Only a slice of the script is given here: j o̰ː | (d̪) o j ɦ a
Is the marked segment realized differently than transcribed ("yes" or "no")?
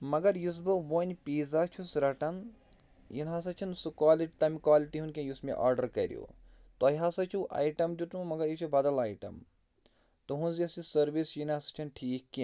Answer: yes